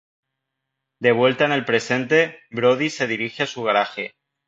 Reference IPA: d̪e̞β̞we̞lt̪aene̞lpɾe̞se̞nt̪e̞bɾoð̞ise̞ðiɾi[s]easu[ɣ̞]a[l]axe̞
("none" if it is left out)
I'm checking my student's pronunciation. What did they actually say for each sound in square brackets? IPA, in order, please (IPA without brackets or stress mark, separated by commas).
x, ɣ̞, ɾ